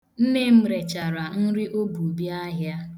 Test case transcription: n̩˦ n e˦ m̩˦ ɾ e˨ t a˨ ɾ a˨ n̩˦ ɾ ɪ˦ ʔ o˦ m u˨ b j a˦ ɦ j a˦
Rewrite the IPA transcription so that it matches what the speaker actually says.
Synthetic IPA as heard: n̩˦ n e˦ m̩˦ ɾ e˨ t͡ʃ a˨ ɾ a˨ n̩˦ ɾ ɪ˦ ʔ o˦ b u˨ b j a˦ ɦ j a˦